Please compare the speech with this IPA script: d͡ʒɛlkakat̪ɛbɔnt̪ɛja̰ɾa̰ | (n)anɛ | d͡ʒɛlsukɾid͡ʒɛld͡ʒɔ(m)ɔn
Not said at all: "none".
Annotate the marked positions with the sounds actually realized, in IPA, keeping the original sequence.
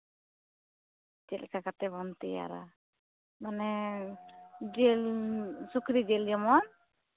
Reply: m, m

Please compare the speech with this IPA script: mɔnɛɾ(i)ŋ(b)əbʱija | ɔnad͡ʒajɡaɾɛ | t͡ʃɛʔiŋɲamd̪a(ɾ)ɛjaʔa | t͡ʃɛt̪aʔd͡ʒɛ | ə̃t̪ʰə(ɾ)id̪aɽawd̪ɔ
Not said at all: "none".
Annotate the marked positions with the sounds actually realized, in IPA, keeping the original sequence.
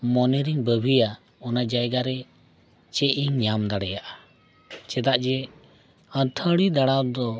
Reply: i, b, ɽ, ɽ

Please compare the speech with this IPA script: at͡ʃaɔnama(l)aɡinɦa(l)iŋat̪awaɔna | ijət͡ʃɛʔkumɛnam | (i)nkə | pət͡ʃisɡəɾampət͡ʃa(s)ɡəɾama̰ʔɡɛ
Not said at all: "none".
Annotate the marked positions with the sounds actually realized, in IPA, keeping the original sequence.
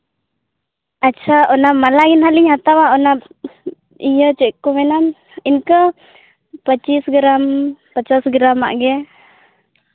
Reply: l, l, i, s

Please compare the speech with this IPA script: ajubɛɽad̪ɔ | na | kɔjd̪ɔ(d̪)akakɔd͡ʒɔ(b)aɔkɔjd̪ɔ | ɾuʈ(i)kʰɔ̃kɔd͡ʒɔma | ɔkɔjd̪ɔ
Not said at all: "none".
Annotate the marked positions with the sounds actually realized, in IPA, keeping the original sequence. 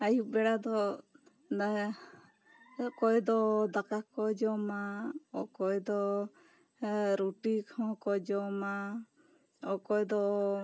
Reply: d̪, m, i

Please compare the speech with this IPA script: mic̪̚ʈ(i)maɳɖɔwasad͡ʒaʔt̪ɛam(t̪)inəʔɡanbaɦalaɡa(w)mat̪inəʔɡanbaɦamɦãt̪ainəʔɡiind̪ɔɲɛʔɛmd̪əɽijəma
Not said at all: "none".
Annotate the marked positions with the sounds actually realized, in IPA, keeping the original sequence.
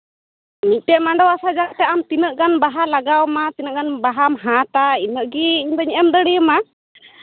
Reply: ɛ, t̪, w

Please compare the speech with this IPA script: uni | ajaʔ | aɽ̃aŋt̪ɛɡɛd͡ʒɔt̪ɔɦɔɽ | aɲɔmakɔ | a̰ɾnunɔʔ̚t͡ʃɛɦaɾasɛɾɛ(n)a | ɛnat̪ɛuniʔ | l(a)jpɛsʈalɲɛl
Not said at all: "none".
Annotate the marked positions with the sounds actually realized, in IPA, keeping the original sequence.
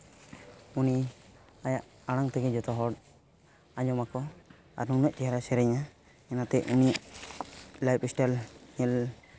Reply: ɲ, a

